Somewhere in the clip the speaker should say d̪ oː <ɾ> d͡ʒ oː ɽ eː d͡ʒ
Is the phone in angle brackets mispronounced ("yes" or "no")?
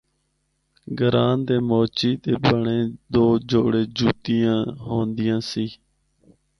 yes